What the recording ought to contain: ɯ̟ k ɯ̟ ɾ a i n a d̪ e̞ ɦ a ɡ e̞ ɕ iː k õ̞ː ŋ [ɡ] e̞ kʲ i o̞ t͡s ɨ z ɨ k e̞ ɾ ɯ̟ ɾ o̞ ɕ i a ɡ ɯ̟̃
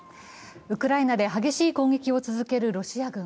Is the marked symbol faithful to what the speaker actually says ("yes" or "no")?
yes